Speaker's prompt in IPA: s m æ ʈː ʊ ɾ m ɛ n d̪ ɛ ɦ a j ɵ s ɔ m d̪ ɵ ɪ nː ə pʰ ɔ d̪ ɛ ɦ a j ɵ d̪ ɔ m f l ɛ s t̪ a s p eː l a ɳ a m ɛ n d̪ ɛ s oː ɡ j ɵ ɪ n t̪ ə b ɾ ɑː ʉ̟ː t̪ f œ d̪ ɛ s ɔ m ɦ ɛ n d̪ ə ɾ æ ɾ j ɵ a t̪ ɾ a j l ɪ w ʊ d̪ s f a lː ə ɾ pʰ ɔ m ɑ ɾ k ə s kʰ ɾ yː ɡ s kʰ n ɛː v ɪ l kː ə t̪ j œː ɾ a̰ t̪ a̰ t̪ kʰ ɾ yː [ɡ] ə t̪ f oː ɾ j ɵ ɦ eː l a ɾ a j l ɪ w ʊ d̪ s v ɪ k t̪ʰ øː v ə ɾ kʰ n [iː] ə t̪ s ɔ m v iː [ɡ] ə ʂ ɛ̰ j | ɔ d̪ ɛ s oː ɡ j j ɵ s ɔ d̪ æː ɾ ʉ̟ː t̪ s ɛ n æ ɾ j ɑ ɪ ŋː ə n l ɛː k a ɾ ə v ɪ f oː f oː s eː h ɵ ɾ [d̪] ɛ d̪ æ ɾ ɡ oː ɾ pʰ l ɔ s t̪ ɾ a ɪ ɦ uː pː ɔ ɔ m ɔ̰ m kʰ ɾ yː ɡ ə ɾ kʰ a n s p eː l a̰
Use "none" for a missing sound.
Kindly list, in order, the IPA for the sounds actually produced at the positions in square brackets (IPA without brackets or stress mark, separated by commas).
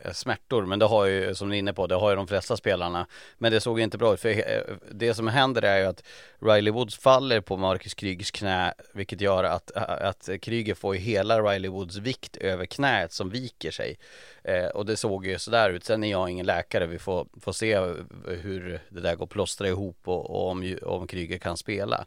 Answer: ɡ, ɛː, k, d̪